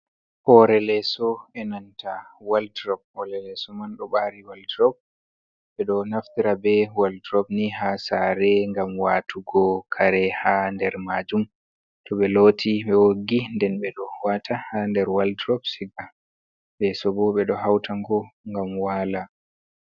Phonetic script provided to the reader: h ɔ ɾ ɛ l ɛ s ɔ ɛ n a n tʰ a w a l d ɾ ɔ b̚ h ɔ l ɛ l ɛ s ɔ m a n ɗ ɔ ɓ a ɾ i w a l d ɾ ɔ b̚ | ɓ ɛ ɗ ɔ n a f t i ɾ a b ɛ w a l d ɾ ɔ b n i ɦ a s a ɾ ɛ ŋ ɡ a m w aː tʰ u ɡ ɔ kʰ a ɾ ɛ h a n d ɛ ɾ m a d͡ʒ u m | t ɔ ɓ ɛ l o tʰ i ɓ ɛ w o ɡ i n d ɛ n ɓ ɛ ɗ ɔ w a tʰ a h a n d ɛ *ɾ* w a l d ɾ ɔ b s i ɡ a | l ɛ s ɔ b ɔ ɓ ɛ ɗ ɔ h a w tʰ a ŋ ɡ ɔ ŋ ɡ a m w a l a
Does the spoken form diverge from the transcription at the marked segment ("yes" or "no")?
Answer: no